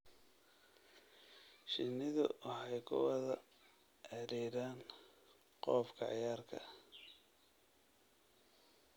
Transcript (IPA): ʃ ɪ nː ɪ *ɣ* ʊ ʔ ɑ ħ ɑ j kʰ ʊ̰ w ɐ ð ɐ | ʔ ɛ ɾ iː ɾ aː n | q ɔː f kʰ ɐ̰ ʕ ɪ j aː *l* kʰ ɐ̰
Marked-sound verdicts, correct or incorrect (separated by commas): incorrect, incorrect